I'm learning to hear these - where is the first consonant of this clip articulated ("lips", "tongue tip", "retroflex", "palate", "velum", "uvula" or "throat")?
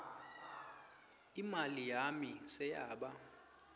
lips